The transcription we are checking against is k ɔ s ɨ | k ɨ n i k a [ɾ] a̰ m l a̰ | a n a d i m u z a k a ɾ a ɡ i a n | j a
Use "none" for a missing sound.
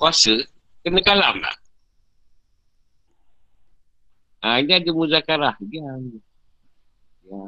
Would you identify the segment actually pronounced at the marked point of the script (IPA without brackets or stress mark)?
l